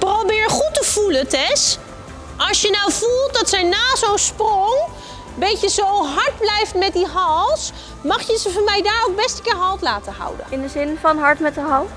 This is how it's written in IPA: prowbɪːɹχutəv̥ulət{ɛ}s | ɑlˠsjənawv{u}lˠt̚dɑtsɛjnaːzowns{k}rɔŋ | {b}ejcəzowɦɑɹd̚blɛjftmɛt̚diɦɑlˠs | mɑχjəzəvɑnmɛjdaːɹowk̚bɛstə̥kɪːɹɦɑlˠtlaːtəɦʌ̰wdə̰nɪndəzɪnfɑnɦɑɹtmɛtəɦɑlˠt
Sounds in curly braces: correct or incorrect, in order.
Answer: correct, correct, incorrect: p, correct

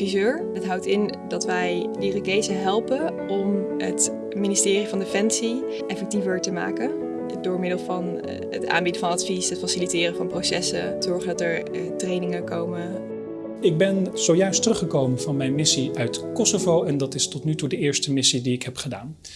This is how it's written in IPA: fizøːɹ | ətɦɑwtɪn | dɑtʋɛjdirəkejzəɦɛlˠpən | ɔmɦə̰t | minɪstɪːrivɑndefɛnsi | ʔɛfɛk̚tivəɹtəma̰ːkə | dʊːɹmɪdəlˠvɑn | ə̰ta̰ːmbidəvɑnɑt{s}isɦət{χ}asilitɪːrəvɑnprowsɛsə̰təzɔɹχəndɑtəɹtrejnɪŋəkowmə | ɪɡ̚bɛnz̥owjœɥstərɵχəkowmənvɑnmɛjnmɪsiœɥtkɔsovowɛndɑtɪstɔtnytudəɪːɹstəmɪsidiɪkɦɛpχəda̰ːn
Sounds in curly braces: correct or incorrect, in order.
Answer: incorrect: f, incorrect: f

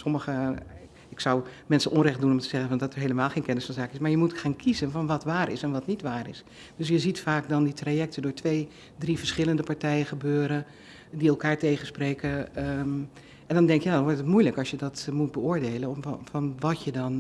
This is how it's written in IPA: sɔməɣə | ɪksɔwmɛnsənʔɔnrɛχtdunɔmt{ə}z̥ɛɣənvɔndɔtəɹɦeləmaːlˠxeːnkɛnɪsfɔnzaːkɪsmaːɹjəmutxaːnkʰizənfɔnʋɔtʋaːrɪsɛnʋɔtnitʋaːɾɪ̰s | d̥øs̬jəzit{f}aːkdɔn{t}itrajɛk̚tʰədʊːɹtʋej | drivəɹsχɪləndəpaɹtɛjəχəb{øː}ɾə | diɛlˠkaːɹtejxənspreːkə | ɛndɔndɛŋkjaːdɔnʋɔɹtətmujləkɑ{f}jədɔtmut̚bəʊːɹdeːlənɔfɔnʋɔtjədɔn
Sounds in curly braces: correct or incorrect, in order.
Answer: correct, correct, incorrect: d, correct, incorrect: s

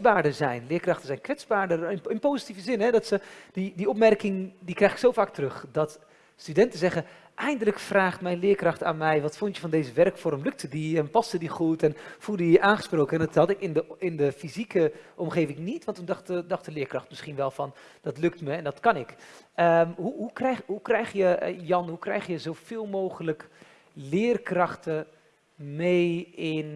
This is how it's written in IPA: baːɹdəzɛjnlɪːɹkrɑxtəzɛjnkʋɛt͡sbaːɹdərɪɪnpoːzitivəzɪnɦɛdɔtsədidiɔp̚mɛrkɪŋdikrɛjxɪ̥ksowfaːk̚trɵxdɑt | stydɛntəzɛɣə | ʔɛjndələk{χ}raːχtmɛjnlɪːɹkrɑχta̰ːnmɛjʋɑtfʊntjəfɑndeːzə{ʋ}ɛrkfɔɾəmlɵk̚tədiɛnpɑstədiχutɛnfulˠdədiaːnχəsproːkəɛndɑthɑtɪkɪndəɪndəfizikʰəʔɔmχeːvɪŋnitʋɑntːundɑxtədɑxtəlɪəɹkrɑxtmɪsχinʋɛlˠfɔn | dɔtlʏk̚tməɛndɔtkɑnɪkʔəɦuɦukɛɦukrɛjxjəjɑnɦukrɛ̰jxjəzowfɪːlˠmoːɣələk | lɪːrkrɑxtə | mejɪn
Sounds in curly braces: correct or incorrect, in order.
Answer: incorrect: f, correct

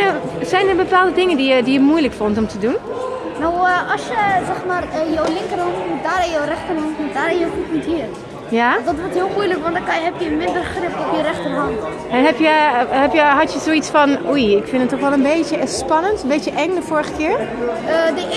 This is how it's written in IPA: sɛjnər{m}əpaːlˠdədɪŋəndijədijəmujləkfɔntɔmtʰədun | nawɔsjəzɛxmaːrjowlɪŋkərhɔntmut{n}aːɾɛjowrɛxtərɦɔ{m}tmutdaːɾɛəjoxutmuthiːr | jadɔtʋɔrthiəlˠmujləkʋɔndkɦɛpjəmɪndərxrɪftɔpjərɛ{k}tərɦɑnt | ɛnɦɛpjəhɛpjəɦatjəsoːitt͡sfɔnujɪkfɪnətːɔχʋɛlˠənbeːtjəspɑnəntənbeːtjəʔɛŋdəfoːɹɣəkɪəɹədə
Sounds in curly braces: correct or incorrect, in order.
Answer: incorrect: b, incorrect: d, incorrect: n, incorrect: x

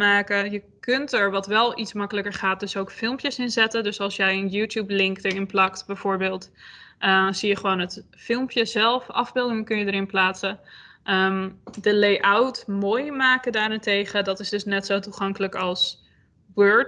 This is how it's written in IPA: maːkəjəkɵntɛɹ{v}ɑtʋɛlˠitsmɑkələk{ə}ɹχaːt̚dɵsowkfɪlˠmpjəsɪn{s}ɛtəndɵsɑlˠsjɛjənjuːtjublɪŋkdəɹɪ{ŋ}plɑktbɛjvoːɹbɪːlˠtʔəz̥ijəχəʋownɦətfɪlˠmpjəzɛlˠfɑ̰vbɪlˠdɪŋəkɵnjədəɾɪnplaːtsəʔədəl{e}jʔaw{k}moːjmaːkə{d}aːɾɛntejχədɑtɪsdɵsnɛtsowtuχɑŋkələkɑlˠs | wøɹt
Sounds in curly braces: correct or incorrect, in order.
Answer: incorrect: ʋ, correct, incorrect: z, incorrect: n, correct, incorrect: t, correct

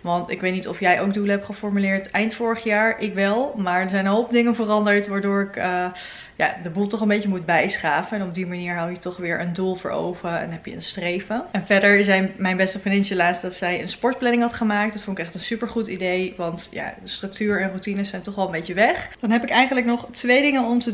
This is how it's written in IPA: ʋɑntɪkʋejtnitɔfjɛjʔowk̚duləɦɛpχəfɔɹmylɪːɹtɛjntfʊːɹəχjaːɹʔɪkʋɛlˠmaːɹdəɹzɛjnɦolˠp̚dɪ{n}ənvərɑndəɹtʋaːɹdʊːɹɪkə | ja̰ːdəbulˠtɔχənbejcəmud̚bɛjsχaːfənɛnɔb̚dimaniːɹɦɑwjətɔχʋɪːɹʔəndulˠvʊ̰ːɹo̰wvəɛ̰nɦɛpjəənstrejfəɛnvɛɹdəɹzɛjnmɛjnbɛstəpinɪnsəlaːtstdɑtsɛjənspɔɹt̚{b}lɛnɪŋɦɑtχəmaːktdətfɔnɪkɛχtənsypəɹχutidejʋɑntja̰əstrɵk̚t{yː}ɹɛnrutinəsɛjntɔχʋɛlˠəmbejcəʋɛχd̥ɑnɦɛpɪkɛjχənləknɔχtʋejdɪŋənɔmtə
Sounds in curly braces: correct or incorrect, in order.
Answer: incorrect: ŋ, incorrect: p, correct

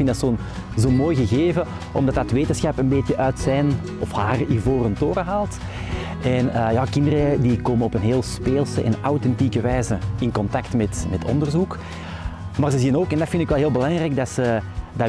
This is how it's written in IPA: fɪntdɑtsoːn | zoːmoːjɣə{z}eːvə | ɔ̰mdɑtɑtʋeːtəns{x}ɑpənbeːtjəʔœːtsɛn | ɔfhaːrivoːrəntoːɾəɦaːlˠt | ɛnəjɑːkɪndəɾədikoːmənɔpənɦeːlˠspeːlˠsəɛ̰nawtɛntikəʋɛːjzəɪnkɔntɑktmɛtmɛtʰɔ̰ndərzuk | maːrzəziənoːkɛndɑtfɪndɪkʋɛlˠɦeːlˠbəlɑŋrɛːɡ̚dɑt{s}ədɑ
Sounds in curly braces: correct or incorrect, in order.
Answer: incorrect: ɣ, correct, correct

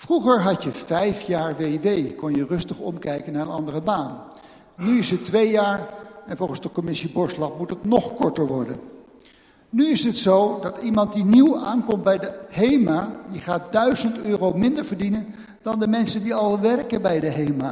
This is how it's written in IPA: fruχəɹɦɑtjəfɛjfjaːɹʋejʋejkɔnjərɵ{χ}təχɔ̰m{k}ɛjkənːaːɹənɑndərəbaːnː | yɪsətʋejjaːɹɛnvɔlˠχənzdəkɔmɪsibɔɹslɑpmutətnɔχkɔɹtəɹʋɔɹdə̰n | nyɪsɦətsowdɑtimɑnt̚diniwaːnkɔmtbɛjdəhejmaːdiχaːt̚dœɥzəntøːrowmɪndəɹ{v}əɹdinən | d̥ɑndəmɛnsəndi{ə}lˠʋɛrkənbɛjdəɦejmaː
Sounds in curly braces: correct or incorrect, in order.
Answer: incorrect: s, correct, correct, incorrect: ɑ

